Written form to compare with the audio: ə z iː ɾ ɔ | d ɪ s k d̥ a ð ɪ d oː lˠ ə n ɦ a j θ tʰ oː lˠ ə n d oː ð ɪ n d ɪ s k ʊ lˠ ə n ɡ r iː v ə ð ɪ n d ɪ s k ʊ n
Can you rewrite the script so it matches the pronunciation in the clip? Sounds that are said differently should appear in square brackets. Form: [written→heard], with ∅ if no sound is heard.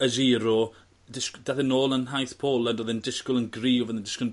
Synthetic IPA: ə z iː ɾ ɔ | d ɪ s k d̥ a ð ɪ [d→n] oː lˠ ə n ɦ a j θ [tʰ→pʰ] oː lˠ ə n d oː ð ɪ n d ɪ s k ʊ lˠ ə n ɡ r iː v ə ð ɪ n d ɪ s k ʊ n